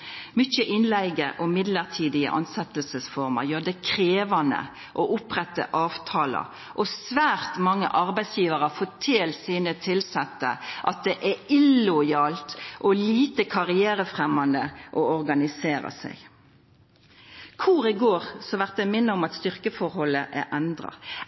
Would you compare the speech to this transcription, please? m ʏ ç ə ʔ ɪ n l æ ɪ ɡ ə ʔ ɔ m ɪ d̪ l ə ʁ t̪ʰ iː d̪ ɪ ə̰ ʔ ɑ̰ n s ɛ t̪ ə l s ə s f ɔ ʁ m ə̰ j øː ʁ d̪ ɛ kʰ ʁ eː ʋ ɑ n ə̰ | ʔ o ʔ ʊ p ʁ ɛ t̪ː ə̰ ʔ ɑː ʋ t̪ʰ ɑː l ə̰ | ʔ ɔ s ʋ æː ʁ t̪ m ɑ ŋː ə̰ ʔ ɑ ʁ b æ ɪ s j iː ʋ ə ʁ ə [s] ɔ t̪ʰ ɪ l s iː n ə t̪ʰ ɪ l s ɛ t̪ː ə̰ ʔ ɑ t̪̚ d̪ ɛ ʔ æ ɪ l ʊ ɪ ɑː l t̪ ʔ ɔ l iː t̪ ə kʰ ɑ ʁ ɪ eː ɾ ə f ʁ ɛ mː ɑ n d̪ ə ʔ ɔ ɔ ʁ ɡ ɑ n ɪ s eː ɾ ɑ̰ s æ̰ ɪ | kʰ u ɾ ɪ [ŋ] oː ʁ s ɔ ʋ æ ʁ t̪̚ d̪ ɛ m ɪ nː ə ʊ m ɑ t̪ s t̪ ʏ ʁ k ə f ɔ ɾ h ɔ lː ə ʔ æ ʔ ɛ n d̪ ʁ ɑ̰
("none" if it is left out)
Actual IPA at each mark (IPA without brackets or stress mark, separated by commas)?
f, ɡ